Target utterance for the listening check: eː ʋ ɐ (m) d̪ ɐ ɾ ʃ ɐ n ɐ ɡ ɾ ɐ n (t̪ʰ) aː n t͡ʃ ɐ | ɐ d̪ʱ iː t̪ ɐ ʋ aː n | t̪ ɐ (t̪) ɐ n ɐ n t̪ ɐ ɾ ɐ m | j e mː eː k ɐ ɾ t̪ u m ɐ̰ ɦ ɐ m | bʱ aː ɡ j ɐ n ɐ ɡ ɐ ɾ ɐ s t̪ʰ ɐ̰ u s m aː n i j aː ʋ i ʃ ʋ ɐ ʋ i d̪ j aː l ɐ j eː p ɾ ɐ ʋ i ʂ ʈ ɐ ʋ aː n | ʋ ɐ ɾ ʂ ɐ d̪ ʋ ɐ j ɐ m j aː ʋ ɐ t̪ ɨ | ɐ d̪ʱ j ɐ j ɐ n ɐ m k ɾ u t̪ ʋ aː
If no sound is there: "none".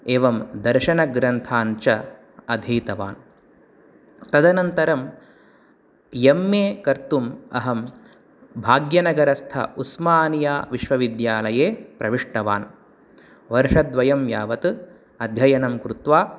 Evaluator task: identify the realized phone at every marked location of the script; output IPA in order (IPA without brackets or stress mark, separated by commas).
m, t̪ʰ, d̪